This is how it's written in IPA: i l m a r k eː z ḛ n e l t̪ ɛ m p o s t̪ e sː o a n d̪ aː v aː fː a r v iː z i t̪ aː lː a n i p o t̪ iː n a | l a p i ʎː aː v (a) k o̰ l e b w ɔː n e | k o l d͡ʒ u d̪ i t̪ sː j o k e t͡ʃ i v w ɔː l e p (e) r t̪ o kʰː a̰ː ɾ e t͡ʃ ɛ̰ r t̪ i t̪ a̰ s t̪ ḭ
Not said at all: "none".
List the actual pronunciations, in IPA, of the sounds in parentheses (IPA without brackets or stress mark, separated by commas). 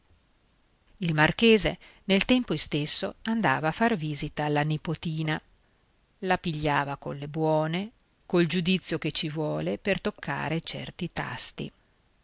a, e